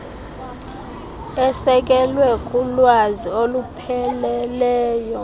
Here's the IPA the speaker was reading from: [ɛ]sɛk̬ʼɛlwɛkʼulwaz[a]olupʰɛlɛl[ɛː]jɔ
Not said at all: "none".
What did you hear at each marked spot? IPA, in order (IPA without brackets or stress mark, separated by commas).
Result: ɛ, i, ɛː